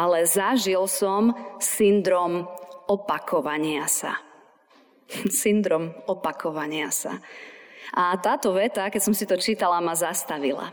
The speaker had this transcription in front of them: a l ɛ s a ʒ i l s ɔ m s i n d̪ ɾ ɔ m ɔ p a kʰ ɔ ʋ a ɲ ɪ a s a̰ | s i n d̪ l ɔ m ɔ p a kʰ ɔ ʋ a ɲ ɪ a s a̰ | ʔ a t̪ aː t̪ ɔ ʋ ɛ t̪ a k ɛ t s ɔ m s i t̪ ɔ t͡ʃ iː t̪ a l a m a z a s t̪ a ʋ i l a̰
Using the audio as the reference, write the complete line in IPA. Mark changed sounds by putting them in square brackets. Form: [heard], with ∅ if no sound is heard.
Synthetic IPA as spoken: a l ɛ [z] a ʒ i l s ɔ m s i n d̪ ɾ ɔ m ɔ p a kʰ ɔ ʋ a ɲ ɪ a s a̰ | s i n d̪ [ɾ] ɔ m ɔ p a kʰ ɔ ʋ a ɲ ɪ a s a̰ | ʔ a t̪ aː t̪ ɔ ʋ ɛ t̪ a k ɛ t s ɔ m s i t̪ ɔ t͡ʃ iː t̪ a l a m a z a s t̪ a ʋ i l a̰